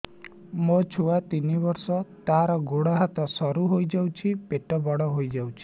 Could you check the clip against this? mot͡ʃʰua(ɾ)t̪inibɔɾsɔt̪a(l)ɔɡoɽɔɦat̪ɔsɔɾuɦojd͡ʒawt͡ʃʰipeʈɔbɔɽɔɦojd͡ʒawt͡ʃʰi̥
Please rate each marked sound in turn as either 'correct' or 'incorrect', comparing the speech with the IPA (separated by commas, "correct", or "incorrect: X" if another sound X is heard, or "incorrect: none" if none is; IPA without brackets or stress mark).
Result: incorrect: none, incorrect: ɾ